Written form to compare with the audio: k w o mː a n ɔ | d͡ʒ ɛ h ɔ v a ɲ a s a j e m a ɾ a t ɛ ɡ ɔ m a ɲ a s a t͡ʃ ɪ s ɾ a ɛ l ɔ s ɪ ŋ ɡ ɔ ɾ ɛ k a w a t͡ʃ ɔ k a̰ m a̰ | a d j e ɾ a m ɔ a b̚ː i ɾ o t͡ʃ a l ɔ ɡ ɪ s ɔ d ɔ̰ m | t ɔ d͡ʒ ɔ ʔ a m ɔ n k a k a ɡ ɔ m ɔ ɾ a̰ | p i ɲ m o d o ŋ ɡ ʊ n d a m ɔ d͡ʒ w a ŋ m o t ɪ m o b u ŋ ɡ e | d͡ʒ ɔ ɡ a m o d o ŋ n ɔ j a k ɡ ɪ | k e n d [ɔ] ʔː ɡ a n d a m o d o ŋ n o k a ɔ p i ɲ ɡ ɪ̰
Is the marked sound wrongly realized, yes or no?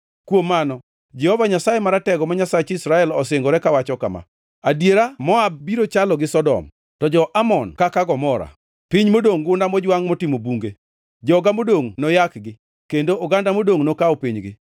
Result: yes